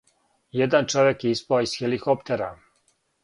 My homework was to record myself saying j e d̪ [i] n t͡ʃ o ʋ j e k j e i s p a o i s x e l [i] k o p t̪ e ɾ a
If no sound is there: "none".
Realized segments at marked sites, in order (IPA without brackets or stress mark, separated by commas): a, i